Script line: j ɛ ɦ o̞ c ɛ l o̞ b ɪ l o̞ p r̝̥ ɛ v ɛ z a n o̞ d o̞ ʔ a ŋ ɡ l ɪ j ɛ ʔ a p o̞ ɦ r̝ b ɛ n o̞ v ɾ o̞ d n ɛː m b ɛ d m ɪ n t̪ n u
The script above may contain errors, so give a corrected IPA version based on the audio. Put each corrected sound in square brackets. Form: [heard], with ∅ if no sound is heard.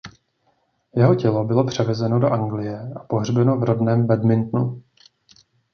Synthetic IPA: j ɛ ɦ o̞ c ɛ l o̞ b ɪ l o̞ p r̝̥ ɛ v ɛ z [ɛ] n o̞ d o̞ ʔ a ŋ ɡ l ɪ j ɛ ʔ a p o̞ ɦ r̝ b ɛ n o̞ v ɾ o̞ d n ɛː m b ɛ d m ɪ n t̪ n u